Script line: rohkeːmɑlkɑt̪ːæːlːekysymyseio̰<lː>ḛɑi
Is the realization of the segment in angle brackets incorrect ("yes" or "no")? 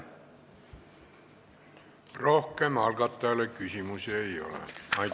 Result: yes